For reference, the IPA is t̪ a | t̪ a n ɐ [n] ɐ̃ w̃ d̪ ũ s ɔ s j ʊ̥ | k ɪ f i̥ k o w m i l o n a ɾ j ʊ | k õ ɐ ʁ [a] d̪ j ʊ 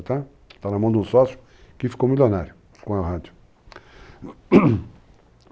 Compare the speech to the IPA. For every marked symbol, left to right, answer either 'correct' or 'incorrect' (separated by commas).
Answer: incorrect, correct